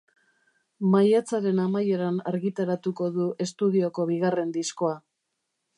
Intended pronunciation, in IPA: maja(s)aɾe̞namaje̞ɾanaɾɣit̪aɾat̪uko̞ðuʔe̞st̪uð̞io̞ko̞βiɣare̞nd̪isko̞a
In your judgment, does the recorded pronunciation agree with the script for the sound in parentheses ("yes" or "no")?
no